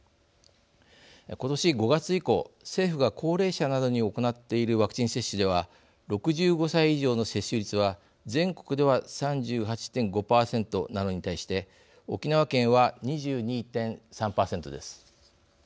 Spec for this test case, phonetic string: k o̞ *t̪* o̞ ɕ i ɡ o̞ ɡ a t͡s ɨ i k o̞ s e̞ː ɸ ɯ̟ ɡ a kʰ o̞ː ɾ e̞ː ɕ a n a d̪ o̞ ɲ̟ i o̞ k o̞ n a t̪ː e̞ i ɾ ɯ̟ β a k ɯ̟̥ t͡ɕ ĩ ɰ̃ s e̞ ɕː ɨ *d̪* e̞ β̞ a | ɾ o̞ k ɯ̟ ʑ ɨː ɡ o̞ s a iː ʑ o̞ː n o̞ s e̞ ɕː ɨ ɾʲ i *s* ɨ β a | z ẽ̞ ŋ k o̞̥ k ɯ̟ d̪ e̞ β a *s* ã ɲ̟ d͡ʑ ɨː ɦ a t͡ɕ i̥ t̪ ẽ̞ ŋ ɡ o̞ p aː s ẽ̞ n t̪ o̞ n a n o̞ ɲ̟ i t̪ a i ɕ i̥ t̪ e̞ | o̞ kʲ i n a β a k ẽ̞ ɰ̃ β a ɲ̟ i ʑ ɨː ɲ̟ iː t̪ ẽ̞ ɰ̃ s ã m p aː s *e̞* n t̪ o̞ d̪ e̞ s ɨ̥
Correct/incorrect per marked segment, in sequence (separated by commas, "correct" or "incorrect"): correct, correct, incorrect, correct, incorrect